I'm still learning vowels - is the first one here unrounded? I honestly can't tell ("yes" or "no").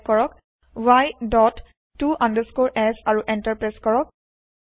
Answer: no